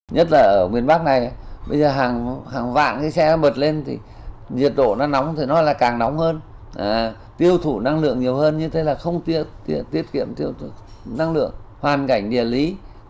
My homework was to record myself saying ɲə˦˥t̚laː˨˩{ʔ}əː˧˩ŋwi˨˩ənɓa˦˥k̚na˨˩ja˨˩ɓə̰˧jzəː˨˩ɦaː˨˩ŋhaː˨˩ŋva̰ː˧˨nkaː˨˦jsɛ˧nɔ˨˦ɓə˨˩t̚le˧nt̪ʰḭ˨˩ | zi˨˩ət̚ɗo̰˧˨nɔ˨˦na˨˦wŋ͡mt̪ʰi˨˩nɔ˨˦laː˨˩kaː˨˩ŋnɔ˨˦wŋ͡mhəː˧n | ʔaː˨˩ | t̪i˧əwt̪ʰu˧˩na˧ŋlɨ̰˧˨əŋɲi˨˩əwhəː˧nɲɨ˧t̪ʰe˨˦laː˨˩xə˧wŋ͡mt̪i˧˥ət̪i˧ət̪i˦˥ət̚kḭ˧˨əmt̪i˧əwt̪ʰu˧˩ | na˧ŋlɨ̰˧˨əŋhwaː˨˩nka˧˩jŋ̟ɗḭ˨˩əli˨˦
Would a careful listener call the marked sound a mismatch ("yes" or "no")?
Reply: no